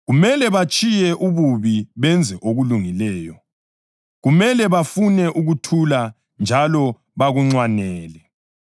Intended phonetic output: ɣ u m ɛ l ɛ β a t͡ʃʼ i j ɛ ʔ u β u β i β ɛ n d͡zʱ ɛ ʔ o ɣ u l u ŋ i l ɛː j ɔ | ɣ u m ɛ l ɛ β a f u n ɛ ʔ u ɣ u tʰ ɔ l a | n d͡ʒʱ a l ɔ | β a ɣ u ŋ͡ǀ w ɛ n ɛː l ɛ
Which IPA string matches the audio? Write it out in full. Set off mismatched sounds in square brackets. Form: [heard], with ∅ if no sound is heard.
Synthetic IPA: ɣ u m ɛ l ɛ β a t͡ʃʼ i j ɛ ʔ u β u β i β ɛ n d͡zʱ ɛ ʔ o ɣ u l u ŋ i l ɛː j ɔ | ɣ u m ɛ l ɛ β a f u n ɛ ʔ u ɣ u tʰ [u] l a | n d͡ʒʱ a l ɔ | β a ɣ u ŋ͡ǀ w [a] n ɛː l ɛ